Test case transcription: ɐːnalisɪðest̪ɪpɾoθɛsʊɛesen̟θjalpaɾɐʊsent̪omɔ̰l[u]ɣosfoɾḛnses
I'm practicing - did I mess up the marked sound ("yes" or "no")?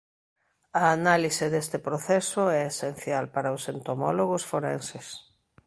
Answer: yes